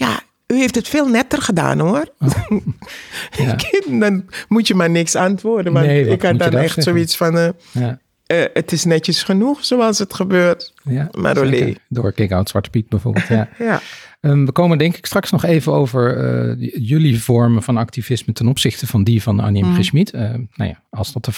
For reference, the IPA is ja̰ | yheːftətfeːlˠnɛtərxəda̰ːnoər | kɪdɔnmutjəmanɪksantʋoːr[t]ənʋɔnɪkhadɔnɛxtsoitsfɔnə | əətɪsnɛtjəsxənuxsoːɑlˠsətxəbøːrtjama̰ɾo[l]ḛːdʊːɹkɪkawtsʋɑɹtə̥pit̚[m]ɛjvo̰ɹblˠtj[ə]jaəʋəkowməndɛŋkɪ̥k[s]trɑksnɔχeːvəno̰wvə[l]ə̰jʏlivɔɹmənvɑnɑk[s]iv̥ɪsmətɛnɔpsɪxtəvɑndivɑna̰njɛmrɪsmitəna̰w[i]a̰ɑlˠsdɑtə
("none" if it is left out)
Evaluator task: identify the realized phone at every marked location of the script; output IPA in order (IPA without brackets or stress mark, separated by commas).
d, l, b, a, s, ɹ, t, j